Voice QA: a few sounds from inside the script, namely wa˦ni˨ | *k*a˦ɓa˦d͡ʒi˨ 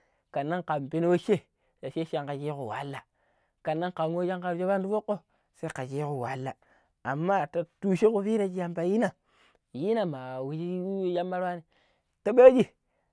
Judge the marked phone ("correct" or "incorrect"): incorrect